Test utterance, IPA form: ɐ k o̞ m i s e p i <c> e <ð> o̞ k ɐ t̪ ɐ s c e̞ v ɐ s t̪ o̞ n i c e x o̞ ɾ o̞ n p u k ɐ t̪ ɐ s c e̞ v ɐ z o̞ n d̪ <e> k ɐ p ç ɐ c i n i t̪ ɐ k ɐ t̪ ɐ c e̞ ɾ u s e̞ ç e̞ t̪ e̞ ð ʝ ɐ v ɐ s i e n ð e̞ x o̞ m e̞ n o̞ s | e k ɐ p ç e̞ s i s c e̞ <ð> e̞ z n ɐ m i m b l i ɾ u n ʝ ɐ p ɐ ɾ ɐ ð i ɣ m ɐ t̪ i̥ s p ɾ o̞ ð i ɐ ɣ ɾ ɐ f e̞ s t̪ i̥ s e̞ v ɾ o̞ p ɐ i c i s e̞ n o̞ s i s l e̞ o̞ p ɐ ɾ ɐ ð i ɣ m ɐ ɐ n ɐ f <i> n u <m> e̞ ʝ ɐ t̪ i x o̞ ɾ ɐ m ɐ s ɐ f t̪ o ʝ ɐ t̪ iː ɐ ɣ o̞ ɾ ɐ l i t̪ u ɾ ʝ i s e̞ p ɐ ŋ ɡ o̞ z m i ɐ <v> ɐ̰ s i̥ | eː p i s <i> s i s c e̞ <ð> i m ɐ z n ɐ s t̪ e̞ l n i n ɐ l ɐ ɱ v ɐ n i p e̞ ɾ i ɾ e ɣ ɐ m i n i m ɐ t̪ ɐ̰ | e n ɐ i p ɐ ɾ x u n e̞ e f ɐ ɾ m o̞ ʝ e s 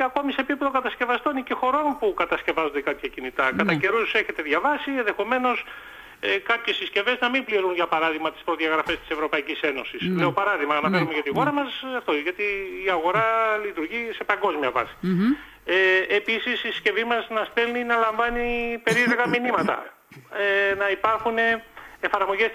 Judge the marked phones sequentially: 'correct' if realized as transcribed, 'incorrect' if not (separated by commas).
incorrect, correct, correct, incorrect, incorrect, correct, correct, correct, incorrect